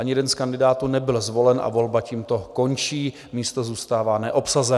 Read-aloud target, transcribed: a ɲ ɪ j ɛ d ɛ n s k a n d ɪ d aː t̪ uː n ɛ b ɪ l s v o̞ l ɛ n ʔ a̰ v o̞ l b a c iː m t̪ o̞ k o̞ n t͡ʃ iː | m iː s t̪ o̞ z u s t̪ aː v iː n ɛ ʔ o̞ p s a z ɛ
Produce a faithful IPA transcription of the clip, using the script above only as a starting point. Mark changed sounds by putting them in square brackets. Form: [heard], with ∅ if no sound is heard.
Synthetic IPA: a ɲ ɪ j ɛ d ɛ n s k a n d ɪ d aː t̪ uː n ɛ b ɪ l [z] v o̞ l ɛ n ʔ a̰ v o̞ l b a c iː m t̪ o̞ k o̞ n t͡ʃ iː | m iː s t̪ o̞ z [uː] s t̪ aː v [aː] n ɛ ʔ o̞ p s a z ɛ

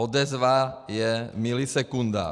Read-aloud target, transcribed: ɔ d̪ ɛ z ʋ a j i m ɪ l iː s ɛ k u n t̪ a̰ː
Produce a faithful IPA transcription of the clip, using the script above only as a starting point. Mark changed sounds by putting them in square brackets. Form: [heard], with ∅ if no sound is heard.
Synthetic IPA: ɔ d̪ ɛ z ʋ a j [ɛ] m [i] l [i] s ɛ k u n [d̪] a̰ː

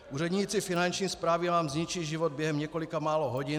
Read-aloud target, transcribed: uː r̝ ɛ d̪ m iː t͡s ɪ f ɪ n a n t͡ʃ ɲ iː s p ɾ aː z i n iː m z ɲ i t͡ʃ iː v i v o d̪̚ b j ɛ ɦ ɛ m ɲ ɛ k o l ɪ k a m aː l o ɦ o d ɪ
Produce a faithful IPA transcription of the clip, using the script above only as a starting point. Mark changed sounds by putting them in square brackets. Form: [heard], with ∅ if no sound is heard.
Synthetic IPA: uː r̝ ɛ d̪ [ɲ] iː t͡s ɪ f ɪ n a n t͡ʃ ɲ iː s p ɾ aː [v] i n [aː] m z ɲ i t͡ʃ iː [ʒ] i v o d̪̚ b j ɛ ɦ ɛ m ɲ ɛ k o l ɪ k a m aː l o ɦ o [ɟ] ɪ

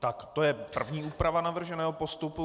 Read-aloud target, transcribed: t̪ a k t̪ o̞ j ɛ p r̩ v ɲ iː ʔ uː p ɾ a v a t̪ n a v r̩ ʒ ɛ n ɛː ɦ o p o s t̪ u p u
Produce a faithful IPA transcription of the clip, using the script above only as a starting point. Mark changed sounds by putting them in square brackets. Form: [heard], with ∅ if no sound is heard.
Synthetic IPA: t̪ a k t̪ o̞ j ɛ p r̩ v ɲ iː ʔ uː p ɾ a v a [∅] n a v r̩ ʒ ɛ n ɛː ɦ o p o s t̪ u p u

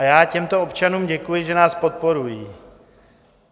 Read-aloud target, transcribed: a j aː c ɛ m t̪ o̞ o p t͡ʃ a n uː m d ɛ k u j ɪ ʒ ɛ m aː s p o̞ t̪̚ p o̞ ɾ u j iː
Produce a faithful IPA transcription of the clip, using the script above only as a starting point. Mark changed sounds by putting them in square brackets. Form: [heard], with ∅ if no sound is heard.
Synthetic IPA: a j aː c ɛ m t̪ o̞ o p t͡ʃ a n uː m [ɟ] ɛ k u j ɪ ʒ ɛ [n] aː s p o̞ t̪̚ p o̞ ɾ u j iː

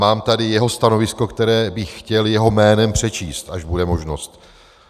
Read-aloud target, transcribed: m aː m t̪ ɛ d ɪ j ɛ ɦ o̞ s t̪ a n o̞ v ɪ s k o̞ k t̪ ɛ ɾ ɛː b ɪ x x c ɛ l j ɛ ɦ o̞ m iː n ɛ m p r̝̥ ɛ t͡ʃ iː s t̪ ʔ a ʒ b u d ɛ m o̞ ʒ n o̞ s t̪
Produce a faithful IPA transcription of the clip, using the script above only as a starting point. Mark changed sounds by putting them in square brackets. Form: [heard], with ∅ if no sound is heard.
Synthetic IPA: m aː m t̪ [a] d ɪ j ɛ ɦ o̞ s t̪ a n o̞ v ɪ s k o̞ k t̪ ɛ ɾ ɛː b ɪ x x c ɛ l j ɛ ɦ o̞ m [ɛː] n ɛ m p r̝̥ ɛ t͡ʃ iː s t̪ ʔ a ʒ b u d ɛ m o̞ ʒ n o̞ s t̪

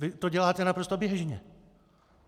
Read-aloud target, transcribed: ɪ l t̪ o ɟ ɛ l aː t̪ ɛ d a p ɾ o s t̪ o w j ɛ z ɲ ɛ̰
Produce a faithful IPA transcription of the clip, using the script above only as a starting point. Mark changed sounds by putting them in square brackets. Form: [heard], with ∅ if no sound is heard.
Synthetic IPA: ɪ [∅] t̪ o ɟ ɛ l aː t̪ ɛ [n] a p ɾ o s t̪ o [b] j ɛ [ʒ] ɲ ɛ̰

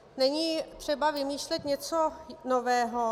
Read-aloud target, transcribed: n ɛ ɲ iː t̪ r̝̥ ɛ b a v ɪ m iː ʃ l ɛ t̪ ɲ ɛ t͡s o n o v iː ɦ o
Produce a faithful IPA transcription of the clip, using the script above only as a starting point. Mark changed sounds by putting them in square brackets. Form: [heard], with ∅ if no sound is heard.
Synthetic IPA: n ɛ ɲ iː t̪ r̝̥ ɛ b a v ɪ m iː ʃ l ɛ t̪ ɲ ɛ t͡s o n o v [ɛː] ɦ o

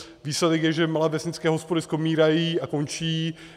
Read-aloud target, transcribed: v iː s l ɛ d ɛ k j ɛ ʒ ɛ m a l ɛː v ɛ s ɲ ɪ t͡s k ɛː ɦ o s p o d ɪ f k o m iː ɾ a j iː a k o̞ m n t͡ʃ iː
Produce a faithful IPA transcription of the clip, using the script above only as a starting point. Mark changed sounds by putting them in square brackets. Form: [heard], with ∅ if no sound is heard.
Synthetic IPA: v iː s l ɛ d ɛ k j ɛ ʒ ɛ m a l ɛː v ɛ s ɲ ɪ t͡s k ɛː ɦ o s p o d ɪ [s] k o m iː ɾ a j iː a k o̞ [∅] n t͡ʃ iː

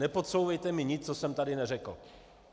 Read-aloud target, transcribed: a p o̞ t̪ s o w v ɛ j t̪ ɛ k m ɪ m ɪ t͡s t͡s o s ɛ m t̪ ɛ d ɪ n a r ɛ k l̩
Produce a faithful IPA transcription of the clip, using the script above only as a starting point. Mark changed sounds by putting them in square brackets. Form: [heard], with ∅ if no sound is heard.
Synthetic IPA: [ɛ] p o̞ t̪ s o w v ɛ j t̪ ɛ [∅] m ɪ [ɲ] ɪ t͡s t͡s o s ɛ m t̪ [a] d ɪ n [ɛ] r ɛ k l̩

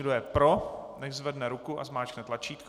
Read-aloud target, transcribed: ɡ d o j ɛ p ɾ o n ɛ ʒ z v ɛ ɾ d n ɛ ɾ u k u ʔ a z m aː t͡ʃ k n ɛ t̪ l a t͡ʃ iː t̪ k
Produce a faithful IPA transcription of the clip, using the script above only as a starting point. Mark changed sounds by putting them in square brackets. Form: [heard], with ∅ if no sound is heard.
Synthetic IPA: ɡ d o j ɛ p ɾ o n ɛ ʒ z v ɛ [∅] d n ɛ ɾ u k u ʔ a z m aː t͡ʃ k n ɛ t̪ l a t͡ʃ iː t̪ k

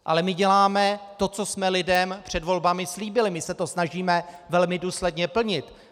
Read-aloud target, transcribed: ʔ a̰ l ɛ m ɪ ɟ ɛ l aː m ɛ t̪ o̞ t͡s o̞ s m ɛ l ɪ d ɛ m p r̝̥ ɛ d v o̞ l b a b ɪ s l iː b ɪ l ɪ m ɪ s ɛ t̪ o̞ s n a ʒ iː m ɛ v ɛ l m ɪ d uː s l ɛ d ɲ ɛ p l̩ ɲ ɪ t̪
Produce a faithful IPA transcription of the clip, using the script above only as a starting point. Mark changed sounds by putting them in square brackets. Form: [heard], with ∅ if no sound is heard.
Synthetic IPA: ʔ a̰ l ɛ m ɪ ɟ ɛ l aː m ɛ t̪ o̞ t͡s o̞ s m ɛ l ɪ d ɛ m p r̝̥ ɛ d v o̞ l b a [m] ɪ s l iː b ɪ l ɪ m ɪ s ɛ t̪ o̞ s n a ʒ iː m ɛ v ɛ l m ɪ d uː s l ɛ d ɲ ɛ p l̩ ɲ ɪ t̪

